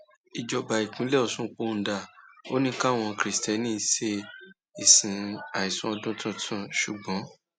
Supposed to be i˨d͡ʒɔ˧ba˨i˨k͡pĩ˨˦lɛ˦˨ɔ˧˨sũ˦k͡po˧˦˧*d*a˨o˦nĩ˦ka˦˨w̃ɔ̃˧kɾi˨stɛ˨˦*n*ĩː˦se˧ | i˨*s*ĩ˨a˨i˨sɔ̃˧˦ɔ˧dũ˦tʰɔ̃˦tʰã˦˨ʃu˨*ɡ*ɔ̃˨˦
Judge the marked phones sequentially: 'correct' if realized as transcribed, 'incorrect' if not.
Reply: correct, correct, correct, incorrect: ɡ͡b

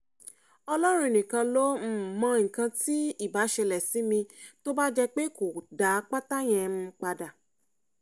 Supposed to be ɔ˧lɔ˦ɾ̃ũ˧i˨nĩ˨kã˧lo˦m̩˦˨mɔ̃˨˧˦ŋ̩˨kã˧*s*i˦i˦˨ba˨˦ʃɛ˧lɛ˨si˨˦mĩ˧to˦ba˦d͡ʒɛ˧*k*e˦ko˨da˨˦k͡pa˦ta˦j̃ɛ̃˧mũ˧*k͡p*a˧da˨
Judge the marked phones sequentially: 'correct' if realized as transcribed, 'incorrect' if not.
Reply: incorrect: t, incorrect: k͡p, correct

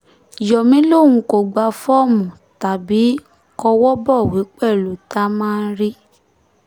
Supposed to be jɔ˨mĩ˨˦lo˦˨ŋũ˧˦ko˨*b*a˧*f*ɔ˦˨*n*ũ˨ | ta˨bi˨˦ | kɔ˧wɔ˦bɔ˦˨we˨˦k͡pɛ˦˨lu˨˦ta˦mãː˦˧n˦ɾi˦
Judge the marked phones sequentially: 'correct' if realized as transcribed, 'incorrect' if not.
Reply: incorrect: ɡ͡b, correct, incorrect: m

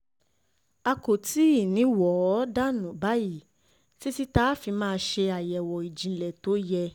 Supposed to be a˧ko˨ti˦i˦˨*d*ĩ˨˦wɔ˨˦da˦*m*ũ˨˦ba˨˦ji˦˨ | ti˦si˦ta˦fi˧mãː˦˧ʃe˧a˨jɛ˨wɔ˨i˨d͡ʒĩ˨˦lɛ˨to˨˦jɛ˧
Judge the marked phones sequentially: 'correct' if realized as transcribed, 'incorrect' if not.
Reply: incorrect: n, incorrect: n

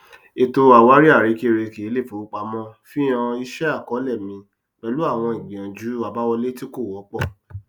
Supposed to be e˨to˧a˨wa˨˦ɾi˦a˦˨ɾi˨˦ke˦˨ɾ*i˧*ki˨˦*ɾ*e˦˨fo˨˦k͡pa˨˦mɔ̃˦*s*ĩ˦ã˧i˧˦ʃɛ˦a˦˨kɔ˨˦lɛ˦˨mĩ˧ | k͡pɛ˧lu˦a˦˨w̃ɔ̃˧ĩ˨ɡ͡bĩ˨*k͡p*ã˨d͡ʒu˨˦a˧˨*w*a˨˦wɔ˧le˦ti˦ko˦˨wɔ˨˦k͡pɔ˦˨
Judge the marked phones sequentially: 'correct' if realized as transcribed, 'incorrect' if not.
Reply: incorrect: e˧, incorrect: l, incorrect: f, incorrect: none, incorrect: b

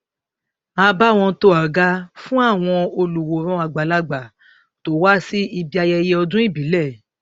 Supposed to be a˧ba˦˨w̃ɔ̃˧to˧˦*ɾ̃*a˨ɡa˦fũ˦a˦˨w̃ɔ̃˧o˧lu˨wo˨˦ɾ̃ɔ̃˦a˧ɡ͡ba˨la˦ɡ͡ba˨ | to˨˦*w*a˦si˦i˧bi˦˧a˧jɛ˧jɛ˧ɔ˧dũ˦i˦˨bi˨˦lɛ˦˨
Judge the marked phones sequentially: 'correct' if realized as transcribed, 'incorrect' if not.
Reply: incorrect: none, correct

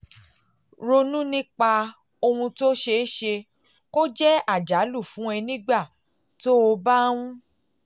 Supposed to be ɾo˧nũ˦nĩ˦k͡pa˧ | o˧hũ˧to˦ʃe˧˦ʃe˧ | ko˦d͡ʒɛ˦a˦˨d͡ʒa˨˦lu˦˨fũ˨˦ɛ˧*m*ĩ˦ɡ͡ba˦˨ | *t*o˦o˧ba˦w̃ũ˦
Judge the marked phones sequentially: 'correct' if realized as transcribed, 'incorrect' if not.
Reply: incorrect: n, correct

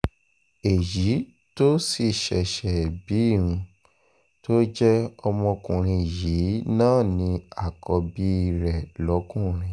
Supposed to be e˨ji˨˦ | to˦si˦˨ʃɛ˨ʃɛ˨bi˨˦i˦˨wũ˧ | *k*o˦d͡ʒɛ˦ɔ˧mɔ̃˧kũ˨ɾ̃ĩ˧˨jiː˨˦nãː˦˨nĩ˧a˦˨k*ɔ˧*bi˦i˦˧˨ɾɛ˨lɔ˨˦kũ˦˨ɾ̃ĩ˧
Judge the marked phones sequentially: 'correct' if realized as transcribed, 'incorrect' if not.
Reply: incorrect: t, correct

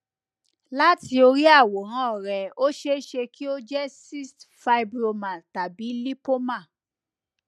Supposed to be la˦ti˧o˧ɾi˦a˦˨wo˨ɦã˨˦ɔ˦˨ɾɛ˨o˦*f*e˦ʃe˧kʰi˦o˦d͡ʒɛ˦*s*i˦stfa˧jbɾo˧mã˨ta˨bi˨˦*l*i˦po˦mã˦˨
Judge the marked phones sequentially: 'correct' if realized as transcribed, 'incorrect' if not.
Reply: incorrect: ʃ, correct, correct

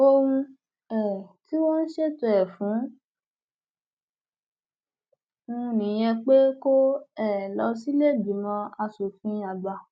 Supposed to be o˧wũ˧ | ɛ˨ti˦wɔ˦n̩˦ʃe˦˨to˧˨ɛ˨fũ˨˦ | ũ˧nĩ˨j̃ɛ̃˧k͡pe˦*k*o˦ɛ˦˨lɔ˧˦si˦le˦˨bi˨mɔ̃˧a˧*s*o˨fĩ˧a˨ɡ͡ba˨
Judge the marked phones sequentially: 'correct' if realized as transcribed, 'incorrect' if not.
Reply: correct, correct

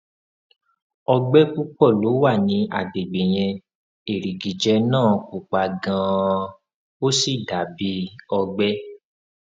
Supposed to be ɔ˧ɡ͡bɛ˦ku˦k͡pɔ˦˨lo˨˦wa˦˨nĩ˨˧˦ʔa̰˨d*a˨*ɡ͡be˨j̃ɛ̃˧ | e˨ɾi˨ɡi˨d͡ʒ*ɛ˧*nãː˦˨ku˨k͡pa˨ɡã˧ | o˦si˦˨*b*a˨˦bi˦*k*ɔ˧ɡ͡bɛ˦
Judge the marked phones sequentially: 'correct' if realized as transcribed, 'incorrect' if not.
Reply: incorrect: e˨, correct, incorrect: d, incorrect: none

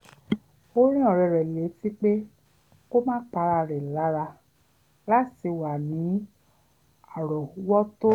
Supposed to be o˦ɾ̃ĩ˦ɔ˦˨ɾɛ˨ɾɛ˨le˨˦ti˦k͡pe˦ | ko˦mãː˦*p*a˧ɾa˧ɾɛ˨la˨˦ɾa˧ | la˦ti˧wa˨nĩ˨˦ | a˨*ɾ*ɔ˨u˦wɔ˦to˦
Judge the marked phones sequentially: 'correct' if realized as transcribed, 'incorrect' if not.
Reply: incorrect: k͡p, correct

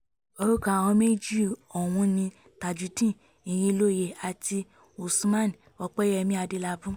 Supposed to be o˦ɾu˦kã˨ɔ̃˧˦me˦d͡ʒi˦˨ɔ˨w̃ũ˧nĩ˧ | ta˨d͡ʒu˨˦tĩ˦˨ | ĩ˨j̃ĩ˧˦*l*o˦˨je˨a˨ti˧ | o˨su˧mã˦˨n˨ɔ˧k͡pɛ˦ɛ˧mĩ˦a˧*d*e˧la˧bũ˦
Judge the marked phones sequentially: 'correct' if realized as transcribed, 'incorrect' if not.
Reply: correct, correct

